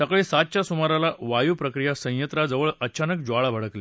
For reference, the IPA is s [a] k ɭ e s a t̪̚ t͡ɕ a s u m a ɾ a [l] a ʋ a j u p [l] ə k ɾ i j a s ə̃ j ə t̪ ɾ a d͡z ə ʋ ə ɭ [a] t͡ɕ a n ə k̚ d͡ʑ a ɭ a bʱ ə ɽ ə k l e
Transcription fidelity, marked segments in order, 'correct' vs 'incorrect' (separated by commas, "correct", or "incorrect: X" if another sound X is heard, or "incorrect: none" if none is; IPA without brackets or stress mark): incorrect: ə, correct, incorrect: ɾ, incorrect: ə